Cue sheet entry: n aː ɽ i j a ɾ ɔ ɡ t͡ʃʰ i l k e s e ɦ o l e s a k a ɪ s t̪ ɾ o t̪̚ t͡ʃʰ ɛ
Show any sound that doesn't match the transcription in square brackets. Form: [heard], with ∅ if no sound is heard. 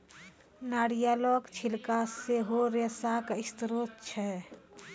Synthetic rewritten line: n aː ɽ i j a [l] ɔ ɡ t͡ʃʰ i l k [a] s e ɦ o [ɾ] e s a k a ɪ s t̪ ɾ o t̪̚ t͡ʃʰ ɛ